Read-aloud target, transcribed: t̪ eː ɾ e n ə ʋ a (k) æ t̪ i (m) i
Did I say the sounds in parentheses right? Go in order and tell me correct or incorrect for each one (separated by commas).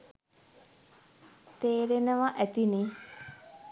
incorrect, incorrect